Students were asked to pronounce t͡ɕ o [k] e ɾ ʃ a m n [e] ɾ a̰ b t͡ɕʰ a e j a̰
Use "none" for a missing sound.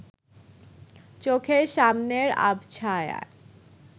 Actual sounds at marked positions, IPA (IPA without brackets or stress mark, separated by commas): kʰ, e